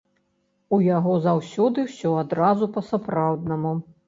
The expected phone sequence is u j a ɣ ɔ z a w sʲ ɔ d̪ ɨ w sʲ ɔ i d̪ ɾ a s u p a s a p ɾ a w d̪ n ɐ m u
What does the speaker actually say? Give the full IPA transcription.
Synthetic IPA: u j a ɣ ɔ z a w sʲ ɔ d̪ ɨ w sʲ ɔ a d̪ ɾ a z u p ɐ s a p ɾ a w d̪ n ɐ m u